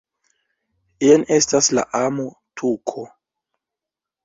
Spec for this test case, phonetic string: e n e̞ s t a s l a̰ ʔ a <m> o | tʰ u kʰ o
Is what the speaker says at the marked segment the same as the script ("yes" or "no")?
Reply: yes